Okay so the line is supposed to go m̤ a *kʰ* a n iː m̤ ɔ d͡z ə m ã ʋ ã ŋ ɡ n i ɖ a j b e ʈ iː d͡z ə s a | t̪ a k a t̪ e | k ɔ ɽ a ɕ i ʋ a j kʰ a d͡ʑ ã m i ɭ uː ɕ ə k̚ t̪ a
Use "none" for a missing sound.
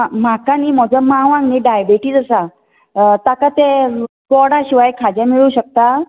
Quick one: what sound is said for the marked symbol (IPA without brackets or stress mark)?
k